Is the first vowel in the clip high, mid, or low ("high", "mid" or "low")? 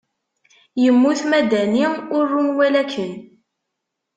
mid